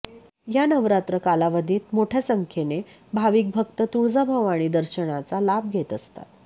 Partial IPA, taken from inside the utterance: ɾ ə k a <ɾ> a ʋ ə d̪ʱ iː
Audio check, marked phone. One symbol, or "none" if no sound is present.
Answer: l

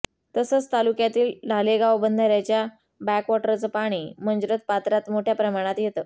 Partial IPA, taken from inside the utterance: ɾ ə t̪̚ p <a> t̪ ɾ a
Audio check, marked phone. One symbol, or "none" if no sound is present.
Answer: a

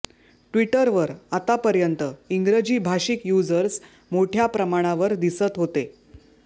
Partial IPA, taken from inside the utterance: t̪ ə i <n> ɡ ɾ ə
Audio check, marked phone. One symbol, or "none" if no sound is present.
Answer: ŋ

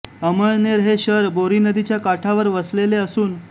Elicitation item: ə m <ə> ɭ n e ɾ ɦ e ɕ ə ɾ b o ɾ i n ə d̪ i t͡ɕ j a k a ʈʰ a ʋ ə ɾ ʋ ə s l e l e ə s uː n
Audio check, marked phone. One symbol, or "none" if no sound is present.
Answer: ə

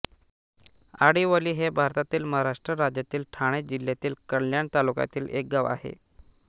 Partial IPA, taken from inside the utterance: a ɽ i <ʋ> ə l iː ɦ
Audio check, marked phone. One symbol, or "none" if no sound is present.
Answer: ʋ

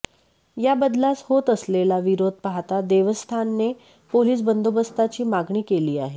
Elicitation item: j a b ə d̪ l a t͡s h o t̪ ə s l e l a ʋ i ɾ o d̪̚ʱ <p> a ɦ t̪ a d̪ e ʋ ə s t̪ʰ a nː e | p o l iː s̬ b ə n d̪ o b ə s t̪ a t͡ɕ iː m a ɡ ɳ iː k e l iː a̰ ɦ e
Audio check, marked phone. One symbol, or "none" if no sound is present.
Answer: p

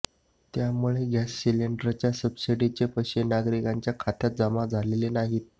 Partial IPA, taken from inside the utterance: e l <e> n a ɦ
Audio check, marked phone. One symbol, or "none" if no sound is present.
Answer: e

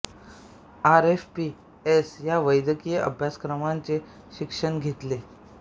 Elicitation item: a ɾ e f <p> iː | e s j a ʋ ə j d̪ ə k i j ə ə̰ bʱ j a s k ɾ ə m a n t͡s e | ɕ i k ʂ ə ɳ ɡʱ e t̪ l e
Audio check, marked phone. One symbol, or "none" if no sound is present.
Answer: p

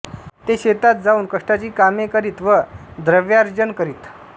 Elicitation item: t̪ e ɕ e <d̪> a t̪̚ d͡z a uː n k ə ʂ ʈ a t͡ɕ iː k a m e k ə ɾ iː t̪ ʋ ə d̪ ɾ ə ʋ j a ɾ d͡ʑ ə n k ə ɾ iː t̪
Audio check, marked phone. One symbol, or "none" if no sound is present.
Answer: t̪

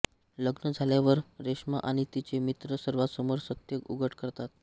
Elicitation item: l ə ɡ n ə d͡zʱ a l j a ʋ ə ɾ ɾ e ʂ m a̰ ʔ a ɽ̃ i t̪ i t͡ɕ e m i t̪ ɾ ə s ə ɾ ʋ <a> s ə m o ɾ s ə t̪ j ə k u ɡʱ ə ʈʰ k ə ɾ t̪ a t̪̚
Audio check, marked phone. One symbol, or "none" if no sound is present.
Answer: a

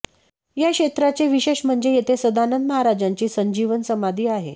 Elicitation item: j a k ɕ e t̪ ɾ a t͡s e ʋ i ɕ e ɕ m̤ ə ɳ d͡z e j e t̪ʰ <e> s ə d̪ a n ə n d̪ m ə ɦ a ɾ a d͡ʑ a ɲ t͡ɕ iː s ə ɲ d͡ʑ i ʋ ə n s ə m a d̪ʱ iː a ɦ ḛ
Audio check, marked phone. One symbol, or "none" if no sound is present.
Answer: e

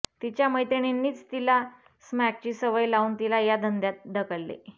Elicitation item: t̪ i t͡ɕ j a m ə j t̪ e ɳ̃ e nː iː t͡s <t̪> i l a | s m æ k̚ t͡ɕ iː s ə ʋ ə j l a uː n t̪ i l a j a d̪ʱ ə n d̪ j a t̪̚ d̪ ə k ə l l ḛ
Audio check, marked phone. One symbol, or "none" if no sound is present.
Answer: t̪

